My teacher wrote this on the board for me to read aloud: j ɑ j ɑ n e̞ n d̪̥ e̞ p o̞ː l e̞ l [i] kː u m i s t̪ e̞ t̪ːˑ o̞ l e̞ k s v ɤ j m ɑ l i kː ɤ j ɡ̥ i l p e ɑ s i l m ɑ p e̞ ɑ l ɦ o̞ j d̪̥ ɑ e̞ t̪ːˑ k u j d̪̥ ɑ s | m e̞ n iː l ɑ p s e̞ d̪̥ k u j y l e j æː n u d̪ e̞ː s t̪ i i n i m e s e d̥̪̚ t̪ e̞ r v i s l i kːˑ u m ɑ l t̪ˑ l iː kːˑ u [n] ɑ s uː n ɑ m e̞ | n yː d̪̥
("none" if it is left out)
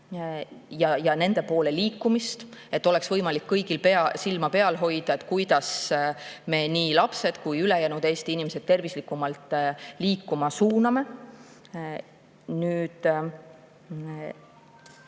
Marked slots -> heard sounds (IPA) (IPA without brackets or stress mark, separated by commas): iː, m